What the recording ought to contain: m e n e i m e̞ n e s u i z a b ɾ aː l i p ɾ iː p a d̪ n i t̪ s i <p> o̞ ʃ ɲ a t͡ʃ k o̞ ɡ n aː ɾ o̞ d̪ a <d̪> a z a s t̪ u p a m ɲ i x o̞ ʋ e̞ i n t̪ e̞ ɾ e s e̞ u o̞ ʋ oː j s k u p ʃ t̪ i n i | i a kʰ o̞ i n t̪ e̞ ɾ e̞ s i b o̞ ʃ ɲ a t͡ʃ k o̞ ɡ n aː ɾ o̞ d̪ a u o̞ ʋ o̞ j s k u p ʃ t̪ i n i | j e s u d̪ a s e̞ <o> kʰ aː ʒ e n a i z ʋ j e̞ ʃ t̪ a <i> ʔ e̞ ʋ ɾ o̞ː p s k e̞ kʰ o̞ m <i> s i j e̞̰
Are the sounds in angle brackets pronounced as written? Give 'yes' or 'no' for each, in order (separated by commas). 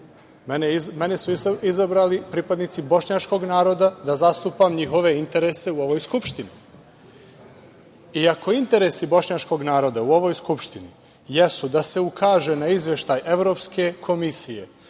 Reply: no, yes, no, no, yes